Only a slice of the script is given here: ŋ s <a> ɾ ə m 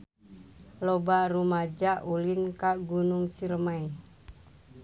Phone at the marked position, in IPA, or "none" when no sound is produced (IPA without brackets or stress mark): i